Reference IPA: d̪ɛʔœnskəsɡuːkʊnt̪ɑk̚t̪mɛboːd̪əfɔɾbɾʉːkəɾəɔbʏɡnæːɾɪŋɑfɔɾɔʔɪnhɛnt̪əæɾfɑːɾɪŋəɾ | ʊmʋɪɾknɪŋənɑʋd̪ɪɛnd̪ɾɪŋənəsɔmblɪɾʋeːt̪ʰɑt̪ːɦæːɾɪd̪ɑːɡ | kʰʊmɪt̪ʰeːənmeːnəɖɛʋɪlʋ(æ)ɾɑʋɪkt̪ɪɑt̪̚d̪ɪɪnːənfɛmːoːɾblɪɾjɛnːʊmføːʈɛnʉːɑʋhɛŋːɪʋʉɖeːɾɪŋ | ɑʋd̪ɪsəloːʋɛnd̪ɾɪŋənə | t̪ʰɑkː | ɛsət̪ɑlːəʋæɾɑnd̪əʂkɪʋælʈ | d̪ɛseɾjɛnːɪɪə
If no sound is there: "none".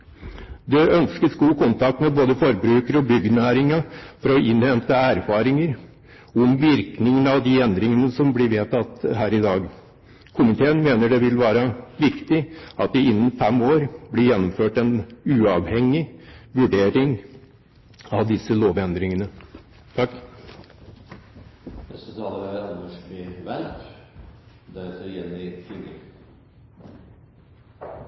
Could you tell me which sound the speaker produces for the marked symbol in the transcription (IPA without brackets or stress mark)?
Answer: æː